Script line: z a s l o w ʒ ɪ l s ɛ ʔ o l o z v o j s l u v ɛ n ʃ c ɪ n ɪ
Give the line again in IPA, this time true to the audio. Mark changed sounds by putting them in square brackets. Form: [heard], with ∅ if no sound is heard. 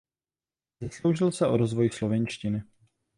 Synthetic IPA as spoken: z a s l o w ʒ ɪ l s ɛ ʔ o [ɾ] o z v o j s l [o] v ɛ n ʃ c ɪ n ɪ